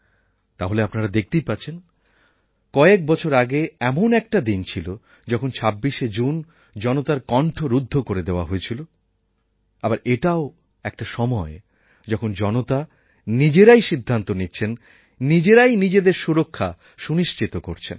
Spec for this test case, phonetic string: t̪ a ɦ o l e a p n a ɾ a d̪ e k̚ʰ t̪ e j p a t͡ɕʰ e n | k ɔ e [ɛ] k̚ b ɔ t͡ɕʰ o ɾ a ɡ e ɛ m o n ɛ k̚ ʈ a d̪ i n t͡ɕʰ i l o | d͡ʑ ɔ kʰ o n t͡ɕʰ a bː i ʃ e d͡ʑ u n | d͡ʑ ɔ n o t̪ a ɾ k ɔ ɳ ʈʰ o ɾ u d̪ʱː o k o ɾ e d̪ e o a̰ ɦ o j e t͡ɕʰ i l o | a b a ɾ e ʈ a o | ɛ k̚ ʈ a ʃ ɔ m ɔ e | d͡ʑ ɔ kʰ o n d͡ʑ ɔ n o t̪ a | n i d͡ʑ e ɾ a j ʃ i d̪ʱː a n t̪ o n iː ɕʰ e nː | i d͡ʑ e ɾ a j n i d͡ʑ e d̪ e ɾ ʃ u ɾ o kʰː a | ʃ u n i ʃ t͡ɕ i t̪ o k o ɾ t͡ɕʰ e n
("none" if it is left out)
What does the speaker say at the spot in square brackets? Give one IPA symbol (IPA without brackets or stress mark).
e